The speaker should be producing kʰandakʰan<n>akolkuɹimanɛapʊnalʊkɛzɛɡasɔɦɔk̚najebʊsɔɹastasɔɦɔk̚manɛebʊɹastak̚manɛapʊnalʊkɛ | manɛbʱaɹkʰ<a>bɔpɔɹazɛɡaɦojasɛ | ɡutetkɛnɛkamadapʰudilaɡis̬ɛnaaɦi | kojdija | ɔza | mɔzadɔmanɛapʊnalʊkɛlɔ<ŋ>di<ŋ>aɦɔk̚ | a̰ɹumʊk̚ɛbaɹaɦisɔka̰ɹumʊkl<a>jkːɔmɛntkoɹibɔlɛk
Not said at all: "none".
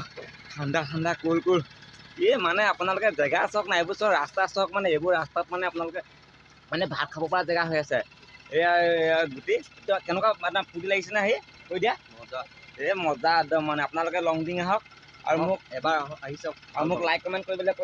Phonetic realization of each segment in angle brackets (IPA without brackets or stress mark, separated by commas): d, a, ŋ, ŋ, a